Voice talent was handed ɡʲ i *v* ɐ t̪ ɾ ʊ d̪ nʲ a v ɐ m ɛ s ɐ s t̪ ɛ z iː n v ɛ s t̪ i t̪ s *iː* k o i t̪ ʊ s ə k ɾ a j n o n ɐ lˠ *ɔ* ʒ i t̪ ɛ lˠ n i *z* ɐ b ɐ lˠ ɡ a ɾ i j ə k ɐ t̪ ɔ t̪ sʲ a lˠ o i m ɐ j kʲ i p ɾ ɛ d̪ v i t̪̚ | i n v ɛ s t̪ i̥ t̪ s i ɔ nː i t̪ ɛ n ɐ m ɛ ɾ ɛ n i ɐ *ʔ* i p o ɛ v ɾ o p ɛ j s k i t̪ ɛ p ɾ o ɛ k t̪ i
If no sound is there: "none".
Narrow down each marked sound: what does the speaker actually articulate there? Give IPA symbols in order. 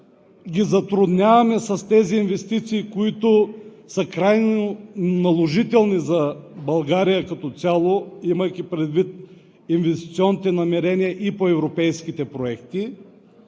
z, iː, o, z, ʔ

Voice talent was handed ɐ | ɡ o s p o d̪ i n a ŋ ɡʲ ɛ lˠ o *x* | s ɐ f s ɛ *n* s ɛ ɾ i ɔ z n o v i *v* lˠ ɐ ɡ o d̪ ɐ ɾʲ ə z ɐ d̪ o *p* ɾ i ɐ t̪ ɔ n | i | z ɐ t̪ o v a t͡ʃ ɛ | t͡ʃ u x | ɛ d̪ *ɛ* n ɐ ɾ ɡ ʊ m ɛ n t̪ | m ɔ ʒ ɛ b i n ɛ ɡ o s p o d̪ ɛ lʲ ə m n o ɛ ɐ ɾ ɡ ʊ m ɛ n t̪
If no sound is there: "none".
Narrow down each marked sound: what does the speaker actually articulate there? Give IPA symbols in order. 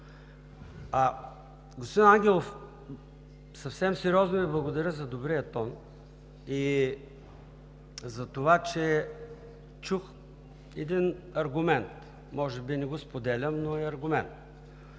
f, m, b, b, i

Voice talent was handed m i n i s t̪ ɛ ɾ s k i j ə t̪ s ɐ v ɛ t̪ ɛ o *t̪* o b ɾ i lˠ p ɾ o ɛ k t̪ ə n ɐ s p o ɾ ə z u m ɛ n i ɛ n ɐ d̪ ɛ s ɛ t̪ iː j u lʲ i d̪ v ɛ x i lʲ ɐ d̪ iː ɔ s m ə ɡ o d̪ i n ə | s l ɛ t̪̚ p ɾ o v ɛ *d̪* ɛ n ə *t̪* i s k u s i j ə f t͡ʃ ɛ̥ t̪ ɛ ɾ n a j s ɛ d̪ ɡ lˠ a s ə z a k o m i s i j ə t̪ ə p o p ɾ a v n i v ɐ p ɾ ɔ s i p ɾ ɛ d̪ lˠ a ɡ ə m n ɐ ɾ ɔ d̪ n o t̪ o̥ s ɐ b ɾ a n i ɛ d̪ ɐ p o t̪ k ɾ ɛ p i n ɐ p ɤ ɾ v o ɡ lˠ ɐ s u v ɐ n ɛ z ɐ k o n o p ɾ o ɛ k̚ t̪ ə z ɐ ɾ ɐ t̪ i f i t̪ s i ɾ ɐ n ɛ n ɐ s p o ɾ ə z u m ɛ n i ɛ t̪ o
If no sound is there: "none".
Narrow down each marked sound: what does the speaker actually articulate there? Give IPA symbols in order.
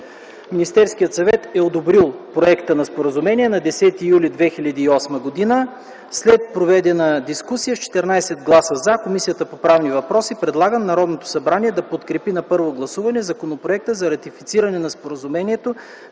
d̪, d̪, d̪

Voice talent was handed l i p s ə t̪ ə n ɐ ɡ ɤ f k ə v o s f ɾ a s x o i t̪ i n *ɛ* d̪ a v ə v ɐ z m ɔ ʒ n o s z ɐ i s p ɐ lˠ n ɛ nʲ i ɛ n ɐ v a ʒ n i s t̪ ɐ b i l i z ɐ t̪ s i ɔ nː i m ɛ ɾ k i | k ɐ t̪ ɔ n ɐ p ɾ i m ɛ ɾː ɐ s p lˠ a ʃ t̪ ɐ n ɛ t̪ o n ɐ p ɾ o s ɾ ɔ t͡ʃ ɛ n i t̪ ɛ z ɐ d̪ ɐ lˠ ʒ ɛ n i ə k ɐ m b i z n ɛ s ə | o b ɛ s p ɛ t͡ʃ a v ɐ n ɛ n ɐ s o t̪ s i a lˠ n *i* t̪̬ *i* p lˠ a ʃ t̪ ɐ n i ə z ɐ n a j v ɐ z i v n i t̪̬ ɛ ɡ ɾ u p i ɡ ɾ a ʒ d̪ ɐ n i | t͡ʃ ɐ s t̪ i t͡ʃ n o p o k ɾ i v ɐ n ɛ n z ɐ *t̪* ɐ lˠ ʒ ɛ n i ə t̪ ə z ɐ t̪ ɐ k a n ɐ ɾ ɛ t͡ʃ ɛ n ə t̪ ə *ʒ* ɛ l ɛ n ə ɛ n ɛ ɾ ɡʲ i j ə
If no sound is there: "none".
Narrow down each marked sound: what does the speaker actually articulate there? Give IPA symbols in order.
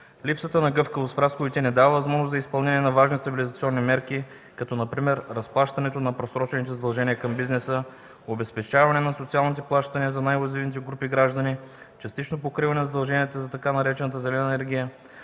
ɛ, i, ɛ, d̪, z

